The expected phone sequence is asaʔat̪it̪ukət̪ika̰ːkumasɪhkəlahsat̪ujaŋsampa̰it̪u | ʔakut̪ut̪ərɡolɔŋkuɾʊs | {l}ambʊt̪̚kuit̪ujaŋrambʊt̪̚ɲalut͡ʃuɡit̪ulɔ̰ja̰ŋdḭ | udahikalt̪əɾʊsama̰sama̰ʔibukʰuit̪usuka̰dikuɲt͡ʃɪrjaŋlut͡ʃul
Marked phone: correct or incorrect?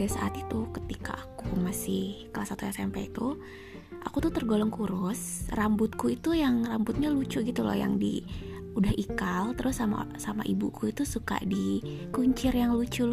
incorrect